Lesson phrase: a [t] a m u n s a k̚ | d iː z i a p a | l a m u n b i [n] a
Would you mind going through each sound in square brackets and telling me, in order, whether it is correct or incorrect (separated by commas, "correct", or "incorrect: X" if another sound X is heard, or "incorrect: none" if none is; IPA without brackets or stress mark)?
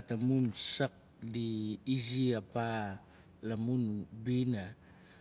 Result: correct, correct